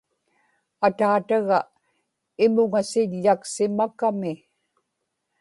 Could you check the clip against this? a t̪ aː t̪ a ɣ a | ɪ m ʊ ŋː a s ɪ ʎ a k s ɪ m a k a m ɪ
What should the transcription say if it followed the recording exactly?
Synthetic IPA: a t̪ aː t̪ a ɣ a | ɪ m ʊ ŋ a s ɪ ʎː a k s ɪ m a k a m ɪ

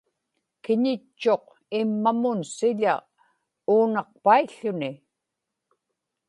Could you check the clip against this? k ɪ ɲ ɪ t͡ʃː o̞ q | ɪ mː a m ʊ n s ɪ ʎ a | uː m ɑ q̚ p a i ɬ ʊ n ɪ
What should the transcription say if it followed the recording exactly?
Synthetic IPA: k ɪ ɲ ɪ t͡ʃː o̞ q | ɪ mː a m ʊ n s ɪ ʎ a | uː n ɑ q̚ p a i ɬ ʊ n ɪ

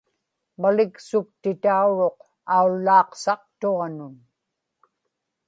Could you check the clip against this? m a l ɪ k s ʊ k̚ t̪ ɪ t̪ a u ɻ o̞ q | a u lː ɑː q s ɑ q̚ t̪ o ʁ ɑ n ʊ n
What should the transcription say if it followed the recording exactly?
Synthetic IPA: m a l ɪ k s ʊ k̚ t̪ ɪ t̪ a u ɻ o̞ q | a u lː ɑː q s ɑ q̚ t̪ o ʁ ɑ n ʊ n

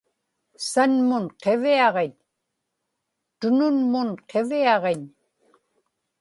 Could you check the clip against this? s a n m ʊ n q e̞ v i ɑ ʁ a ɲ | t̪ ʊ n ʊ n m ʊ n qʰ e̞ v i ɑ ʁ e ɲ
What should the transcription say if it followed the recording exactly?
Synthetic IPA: s a n m ʊ n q e̞ v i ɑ ʁ e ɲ | t̪ ʊ n ʊ n m ʊ n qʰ e̞ v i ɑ ʁ e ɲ

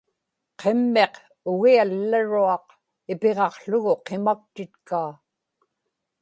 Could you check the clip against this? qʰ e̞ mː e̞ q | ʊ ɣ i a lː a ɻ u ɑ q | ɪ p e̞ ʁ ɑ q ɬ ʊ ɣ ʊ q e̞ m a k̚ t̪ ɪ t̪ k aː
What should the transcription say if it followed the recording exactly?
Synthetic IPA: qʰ e̞ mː e̞ q | ʊ ɣ i a lː a ɻ u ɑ q | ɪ p e̞ ʁ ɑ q ɬ ʊ ɣ ʊ q e̞ m a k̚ t̪ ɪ t̪ k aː

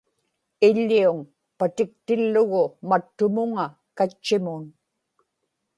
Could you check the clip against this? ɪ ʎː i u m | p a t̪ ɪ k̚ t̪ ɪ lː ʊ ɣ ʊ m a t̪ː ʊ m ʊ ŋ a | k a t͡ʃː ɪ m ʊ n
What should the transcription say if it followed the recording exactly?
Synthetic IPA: ɪ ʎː i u ŋ | p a t̪ ɪ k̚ t̪ ɪ lː ʊ ɣ ʊ m a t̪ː ʊ m ʊ ŋ a | k a t͡ʃː ɪ m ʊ n

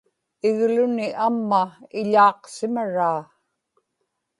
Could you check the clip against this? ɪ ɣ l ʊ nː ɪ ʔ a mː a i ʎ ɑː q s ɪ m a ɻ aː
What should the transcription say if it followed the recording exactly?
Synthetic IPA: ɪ ɣ l ʊ n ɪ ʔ a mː a ɪ ʎ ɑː q s ɪ m a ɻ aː

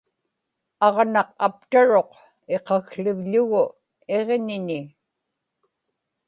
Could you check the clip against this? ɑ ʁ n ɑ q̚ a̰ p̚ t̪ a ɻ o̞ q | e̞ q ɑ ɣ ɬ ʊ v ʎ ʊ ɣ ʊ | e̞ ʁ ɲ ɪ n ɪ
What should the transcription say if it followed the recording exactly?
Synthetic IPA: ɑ ʁ n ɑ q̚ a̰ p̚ t̪ a ɻ o̞ q | e̞ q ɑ ɣ ɬ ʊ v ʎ ʊ ɣ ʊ | e̞ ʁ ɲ ɪ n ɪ

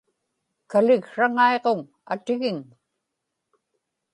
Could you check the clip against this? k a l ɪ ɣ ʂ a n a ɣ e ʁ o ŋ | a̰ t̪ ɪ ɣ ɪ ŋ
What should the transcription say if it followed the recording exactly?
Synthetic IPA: k a l ɪ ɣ ʂ a ŋ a e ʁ o ŋ | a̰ t̪ ɪ ɣ ɪ ŋ

